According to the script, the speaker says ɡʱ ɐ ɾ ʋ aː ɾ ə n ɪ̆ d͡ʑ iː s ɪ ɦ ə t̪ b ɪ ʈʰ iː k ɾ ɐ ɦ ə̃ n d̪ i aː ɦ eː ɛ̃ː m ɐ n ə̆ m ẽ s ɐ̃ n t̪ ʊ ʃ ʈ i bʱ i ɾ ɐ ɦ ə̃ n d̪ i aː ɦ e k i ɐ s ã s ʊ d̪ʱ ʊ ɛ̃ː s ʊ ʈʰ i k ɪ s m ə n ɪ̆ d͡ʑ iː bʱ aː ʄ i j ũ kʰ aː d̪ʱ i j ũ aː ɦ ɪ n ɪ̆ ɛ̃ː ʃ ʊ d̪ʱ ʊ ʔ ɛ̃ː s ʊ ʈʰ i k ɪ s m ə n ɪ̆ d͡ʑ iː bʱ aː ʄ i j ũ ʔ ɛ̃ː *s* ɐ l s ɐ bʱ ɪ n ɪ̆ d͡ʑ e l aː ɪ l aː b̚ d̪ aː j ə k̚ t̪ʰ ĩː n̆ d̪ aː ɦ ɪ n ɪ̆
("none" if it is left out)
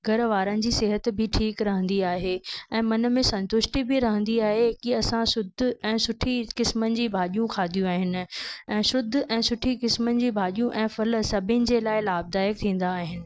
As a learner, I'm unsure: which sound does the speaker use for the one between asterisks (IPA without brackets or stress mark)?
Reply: f